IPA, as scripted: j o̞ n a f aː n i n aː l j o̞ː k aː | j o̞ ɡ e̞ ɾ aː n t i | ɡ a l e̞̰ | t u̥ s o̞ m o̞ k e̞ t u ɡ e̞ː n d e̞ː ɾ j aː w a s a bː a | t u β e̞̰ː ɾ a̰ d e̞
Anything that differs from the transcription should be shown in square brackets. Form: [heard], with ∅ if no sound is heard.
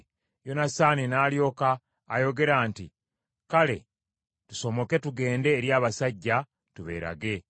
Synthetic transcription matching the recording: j o̞ n a [s] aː n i n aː l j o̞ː k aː | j o̞ ɡ e̞ ɾ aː n t i | [k] a l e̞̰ | t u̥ s o̞ m o̞ k e̞ t u ɡ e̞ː n d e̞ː ɾ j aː [β] a s a [ɟː] a | t u β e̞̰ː ɾ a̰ [ɡ] e̞